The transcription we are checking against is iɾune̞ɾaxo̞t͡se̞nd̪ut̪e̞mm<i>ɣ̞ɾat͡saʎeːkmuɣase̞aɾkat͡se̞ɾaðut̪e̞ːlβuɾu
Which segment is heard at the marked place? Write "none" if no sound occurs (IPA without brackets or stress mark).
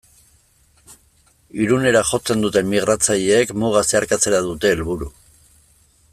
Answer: i